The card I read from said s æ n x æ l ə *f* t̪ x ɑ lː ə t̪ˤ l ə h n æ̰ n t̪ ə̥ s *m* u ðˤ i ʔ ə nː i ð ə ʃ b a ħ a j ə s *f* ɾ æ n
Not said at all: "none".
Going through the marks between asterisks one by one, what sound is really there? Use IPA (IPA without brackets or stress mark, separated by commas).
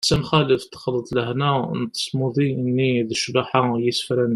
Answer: f, m, f